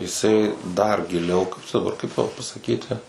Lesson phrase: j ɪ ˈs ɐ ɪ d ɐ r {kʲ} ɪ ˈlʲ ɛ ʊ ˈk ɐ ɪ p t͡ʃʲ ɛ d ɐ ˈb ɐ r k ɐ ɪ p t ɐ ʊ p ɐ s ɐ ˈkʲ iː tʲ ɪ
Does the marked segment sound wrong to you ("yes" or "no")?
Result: yes